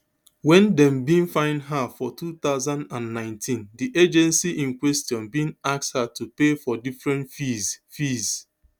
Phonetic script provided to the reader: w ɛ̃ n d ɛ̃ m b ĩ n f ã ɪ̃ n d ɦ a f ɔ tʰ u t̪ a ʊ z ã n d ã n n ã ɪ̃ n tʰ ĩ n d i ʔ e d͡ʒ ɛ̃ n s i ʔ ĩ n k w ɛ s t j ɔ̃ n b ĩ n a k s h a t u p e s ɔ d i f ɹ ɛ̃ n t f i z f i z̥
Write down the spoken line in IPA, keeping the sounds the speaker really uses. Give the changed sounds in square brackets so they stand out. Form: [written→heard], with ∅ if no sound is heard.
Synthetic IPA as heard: w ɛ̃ n d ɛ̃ m b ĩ n f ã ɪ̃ n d ɦ a f ɔ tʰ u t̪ a ʊ z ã n d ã n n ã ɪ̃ n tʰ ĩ n d i ʔ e d͡ʒ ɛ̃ n s i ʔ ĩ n k w ɛ s t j ɔ̃ n b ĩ n a k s h a t u p e [s→f] ɔ d i f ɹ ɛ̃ n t f i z f i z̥